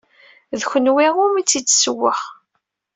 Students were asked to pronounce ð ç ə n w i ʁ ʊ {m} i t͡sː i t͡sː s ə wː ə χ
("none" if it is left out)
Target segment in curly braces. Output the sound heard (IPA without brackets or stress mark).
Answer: m